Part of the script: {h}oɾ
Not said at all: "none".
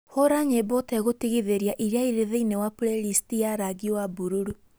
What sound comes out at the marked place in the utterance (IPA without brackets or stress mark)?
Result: h